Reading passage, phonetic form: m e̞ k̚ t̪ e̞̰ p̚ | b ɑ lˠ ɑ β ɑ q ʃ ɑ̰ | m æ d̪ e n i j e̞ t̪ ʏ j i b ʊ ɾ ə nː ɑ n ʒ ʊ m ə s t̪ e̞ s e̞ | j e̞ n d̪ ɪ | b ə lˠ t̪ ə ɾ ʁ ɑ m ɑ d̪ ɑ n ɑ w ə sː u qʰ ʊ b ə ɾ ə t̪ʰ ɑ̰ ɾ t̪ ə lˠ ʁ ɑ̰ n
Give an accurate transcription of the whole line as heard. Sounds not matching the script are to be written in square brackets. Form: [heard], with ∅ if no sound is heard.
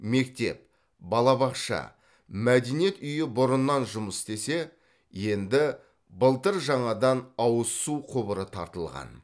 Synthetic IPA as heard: m e̞ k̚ t̪ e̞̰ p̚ | b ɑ lˠ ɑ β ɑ q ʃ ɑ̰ | m æ d̪ e n i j e̞ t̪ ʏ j [ɪ] b ʊ ɾ ə nː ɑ n ʒ ʊ m ə s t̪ e̞ s e̞ | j e̞ n d̪ ɪ | b ə lˠ t̪ ə ɾ [ʒ] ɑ [ɴ] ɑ d̪ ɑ n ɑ w ə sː u qʰ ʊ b ə ɾ ə t̪ʰ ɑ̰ ɾ t̪ ə lˠ ʁ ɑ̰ n

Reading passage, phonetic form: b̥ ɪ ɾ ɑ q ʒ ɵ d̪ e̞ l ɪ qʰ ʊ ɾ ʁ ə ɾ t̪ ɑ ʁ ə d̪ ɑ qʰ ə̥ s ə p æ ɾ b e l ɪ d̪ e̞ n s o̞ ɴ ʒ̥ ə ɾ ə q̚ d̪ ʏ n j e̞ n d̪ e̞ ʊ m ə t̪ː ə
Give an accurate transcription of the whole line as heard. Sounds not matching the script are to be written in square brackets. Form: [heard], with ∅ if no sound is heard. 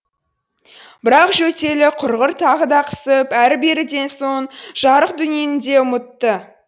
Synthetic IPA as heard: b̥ ɪ ɾ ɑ q ʒ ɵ [t̪] e̞ l ɪ qʰ ʊ ɾ ʁ ə ɾ [t̪ʰ] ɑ ʁ ə d̪ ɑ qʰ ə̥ s ə p æ ɾ b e [ɾ] ɪ d̪ e̞ n s o̞ ɴ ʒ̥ [ɑ] ɾ ə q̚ d̪ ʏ n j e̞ n d̪ e̞ ʊ m ə t̪ː ə

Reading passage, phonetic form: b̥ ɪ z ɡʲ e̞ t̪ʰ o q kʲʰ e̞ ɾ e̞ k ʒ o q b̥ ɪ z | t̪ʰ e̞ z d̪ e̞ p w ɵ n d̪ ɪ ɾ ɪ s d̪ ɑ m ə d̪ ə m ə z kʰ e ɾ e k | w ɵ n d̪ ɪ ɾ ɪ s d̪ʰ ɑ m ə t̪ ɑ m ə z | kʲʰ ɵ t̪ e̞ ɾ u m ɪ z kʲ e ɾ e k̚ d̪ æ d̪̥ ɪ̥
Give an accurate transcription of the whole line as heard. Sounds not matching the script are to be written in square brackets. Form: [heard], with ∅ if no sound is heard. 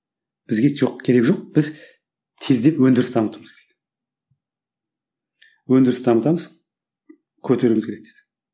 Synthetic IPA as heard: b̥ ɪ z ɡʲ e̞ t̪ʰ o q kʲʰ e̞ ɾ e̞ k ʒ o q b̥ ɪ z | t̪ʰ e̞ z d̪ e̞ p w ɵ n d̪ ɪ ɾ ɪ s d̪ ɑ m ə [t̪] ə m ə z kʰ e ɾ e k | w ɵ n d̪ ɪ ɾ ɪ s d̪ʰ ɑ m ə t̪ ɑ m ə z | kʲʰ ɵ t̪ e̞ ɾ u m ɪ z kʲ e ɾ e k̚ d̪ [e] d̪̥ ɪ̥

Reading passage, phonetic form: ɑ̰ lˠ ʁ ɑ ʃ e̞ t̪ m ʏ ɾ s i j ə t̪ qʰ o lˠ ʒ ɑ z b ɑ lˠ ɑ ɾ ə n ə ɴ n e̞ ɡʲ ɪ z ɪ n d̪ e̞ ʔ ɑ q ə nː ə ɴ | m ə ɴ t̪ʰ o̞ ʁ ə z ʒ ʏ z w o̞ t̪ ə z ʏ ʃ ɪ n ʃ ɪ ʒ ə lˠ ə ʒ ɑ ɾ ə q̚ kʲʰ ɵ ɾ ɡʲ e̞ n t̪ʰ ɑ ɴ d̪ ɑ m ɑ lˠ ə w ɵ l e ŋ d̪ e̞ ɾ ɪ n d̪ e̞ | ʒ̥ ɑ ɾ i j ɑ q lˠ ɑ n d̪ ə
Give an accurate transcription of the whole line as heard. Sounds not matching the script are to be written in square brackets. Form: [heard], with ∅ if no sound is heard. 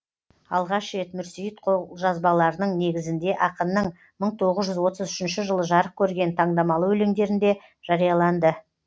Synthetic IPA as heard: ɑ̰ lˠ ʁ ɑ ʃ e̞ t̪ m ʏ ɾ s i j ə t̪ qʰ o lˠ ʒ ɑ z b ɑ lˠ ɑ ɾ ə n ə ɴ n e̞ ɡʲ ɪ z ɪ n d̪ e̞ ʔ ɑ q ə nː ə ɴ | m ə ɴ t̪ʰ o̞ ʁ ə z ʒ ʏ z w o̞ t̪ ə z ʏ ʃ ɪ n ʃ ɪ ʒ ə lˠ ə ʒ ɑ ɾ ə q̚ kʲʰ ɵ ɾ ɡʲ e̞ n t̪ʰ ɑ ɴ d̪ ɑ m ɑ lˠ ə w ɵ l e ŋ d̪ e̞ ɾ ɪ n d̪ e̞ | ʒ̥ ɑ ɾ i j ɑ [∅] lˠ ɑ n d̪ ə

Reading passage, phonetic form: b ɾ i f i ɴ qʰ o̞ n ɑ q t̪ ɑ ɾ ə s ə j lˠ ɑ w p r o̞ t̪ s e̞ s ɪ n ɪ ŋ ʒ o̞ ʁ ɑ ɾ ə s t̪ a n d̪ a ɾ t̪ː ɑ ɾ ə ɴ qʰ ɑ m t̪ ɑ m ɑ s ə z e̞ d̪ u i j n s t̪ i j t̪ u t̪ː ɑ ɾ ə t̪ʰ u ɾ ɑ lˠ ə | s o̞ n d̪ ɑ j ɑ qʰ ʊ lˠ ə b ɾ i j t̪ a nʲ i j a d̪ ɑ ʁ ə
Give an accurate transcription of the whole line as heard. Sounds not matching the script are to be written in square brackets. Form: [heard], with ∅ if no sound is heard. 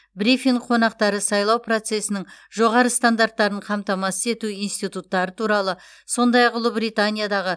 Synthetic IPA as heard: b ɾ i f i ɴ qʰ o̞ n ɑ q t̪ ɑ ɾ ə s [ɑ] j lˠ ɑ w p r o̞ t̪ s e̞ s ɪ n ɪ ŋ ʒ o̞ ʁ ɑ ɾ ə s t̪ a n d̪ a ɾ t̪ː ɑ ɾ ə ɴ qʰ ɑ m t̪ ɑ m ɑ s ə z e̞ [t̪] u i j n s t̪ i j t̪ u t̪ː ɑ ɾ ə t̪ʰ u ɾ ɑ lˠ ə | s o̞ n d̪ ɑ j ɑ [q] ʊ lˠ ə b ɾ i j t̪ a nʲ i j a d̪ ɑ ʁ ə

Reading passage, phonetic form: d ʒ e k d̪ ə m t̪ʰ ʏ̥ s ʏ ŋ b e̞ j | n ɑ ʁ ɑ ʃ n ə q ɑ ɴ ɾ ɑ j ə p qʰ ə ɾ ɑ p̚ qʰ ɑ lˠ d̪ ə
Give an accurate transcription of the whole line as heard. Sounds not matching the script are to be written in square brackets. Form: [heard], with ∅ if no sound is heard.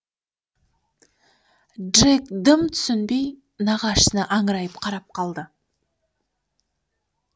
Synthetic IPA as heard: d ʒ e k d̪ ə m t̪ʰ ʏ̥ s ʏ [n] b e̞ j | n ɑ ʁ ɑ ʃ n ə [ʔ] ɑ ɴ ɾ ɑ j ə p qʰ [ɑ] ɾ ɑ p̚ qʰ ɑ lˠ d̪ ə

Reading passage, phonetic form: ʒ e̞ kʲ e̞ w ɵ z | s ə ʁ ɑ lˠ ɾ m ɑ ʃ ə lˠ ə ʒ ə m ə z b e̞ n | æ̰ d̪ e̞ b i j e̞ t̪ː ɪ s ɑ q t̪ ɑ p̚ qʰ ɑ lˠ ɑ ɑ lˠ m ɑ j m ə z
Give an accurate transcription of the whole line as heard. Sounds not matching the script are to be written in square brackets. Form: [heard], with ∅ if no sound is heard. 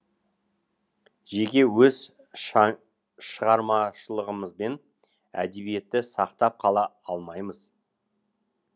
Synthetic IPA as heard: ʒ e̞ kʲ e̞ w ɵ z | [ʃ] ə ʁ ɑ [∅] ɾ m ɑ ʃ ə lˠ ə [ʁ] ə m ə z b e̞ n | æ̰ d̪ e̞ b i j e̞ t̪ː ɪ s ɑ q t̪ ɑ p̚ qʰ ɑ lˠ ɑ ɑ lˠ m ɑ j m ə z

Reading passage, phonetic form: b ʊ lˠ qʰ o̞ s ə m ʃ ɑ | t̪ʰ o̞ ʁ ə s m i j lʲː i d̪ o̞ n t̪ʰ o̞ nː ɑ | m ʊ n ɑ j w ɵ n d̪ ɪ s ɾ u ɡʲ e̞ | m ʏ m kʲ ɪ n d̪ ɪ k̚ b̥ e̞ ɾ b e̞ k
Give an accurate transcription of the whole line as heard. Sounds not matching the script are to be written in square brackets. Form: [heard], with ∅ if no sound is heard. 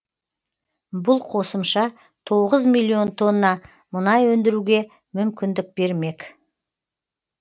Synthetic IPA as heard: b ʊ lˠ qʰ o̞ s ə m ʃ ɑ | t̪ʰ o̞ ʁ ə [z] m i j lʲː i [∅] o̞ n t̪ʰ o̞ nː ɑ | m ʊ n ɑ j w ɵ n d̪ ɪ [∅] ɾ u ɡʲ e̞ | m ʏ m kʲ ɪ n d̪ ɪ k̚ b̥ e̞ ɾ [m] e̞ k

